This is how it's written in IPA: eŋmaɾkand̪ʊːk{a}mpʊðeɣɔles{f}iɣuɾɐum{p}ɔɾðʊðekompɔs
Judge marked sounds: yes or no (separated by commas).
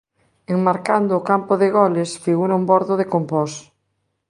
yes, yes, no